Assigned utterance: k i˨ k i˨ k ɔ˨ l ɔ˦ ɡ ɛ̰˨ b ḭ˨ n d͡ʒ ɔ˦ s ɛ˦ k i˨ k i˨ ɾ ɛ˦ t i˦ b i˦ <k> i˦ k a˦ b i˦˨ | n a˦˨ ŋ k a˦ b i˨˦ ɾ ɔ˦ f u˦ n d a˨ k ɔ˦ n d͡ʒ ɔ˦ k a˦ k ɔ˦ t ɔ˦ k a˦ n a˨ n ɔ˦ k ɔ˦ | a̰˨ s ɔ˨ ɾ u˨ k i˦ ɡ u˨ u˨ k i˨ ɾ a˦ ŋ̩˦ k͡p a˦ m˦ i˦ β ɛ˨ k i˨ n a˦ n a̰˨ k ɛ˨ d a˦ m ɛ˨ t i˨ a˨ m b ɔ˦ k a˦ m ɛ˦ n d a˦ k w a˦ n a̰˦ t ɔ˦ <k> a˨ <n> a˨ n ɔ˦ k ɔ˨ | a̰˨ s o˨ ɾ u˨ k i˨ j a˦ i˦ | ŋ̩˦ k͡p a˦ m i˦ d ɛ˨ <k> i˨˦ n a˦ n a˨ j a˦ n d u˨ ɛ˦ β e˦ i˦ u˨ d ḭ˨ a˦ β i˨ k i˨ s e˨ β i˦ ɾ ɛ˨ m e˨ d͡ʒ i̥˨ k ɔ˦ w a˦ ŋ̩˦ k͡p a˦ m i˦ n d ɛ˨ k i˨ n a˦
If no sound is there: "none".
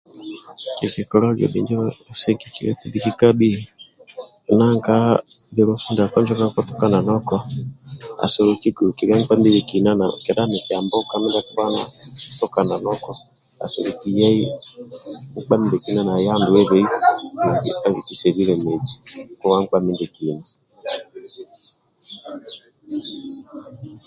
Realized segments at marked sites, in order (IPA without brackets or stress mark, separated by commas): k, k, n, k